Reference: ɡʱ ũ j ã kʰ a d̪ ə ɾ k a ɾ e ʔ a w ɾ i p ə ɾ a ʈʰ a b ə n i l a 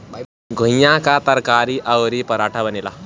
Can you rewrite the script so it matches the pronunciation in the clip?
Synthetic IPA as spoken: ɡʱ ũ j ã k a t̪ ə ɾ k a ɾ i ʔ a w ɾ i p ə ɾ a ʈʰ a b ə n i l a